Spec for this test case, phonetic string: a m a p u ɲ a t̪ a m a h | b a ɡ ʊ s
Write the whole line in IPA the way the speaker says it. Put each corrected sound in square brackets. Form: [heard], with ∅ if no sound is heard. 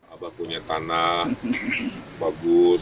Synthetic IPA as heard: a [b] a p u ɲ a t̪ a [n] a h | b a ɡ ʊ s